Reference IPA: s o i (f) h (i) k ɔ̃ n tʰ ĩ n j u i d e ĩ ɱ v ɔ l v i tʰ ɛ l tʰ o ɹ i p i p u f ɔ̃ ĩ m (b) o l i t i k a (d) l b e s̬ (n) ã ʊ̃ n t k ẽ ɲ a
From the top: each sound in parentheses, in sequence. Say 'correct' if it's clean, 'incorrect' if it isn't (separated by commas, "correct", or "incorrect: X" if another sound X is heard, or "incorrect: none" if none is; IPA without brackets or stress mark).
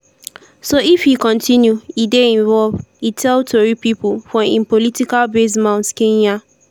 correct, correct, incorrect: p, incorrect: none, incorrect: m